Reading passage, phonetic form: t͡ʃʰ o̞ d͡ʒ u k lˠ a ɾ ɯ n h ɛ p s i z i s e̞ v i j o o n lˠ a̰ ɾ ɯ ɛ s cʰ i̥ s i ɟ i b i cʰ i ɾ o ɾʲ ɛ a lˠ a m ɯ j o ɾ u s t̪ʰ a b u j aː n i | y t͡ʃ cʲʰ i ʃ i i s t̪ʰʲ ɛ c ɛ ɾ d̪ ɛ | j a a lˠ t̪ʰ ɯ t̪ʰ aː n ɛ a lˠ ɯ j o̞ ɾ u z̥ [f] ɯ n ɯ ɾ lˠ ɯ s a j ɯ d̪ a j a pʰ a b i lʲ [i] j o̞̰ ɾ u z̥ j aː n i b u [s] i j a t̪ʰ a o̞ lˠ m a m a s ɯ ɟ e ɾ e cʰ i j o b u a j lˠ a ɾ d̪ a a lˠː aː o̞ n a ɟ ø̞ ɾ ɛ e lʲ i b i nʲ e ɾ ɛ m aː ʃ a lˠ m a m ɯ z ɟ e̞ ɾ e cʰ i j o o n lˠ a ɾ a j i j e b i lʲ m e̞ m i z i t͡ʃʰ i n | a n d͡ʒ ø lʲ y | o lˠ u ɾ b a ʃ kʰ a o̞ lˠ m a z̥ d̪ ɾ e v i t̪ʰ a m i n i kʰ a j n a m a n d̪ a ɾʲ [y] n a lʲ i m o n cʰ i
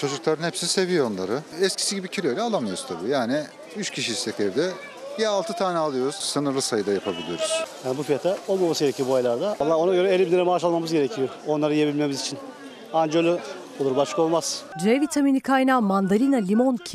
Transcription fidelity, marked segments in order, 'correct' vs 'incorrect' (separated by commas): incorrect, correct, incorrect, incorrect